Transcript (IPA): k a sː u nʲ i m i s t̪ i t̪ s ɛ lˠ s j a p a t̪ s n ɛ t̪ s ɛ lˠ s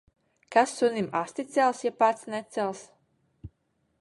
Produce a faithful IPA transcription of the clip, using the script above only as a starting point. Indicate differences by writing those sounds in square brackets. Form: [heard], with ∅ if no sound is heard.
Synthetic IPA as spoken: k a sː u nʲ i m [a] s t̪ i t̪ s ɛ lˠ s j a p a t̪ s n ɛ t̪ s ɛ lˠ s